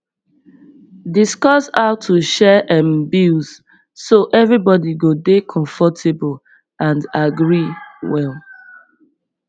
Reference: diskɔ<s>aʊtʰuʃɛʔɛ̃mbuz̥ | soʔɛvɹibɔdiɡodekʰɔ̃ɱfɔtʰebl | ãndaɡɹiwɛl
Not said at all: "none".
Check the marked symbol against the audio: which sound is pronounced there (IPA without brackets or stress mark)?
s